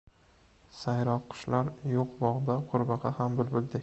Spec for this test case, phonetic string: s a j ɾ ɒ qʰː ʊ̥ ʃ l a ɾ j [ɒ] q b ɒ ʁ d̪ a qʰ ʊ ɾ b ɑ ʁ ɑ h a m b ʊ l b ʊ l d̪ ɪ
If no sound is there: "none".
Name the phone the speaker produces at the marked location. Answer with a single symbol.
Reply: o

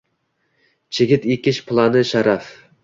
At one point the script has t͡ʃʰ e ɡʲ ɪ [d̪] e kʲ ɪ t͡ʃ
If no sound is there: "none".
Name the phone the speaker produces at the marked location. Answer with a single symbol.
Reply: t̪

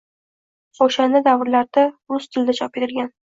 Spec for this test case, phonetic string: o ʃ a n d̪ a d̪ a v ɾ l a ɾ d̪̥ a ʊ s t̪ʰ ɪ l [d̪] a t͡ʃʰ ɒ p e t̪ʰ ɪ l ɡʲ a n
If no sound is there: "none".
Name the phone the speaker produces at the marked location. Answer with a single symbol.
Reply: d̪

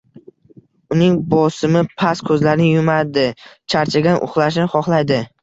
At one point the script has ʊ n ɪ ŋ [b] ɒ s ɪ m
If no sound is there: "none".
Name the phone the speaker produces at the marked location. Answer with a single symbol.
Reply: b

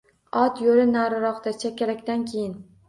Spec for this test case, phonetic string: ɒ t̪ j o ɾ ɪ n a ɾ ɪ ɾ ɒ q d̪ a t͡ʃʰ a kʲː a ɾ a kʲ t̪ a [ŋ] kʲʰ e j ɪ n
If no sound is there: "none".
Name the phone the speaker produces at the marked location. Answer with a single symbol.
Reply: n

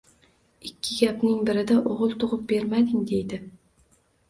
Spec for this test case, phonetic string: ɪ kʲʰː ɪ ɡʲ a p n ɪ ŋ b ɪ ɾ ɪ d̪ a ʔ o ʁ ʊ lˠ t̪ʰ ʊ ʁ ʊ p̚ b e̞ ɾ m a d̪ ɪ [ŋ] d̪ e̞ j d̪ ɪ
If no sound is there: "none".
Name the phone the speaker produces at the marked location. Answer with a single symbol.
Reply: ŋ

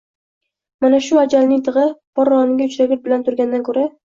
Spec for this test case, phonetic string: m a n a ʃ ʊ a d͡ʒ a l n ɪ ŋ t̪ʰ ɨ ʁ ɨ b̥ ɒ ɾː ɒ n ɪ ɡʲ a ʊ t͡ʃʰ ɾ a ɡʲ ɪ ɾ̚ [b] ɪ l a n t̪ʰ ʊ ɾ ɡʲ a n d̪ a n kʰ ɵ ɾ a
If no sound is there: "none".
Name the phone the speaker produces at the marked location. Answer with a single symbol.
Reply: b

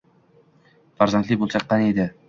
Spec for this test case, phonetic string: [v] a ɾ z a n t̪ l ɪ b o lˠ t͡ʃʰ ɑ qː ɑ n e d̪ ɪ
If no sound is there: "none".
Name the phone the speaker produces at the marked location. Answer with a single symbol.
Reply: f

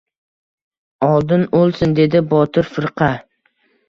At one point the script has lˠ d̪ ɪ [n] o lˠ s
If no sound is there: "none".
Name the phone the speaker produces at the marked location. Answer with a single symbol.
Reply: n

